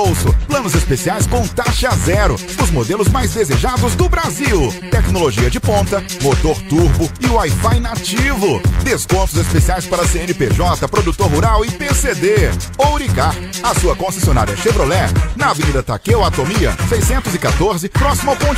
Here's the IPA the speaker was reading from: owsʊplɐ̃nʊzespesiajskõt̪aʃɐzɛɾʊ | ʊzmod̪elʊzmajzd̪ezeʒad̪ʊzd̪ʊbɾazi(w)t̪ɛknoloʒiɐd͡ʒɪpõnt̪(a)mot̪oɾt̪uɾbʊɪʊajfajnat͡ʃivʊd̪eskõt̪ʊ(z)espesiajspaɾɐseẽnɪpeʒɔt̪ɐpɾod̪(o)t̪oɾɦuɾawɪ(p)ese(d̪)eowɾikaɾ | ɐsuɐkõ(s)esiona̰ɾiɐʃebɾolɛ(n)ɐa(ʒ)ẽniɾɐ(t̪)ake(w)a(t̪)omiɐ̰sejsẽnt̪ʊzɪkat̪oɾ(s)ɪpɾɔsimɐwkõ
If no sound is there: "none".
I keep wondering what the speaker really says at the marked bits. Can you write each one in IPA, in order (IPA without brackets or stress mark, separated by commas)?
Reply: w, ɐ, z, u, p, d̪, s, n, v, t̪, w, t̪, z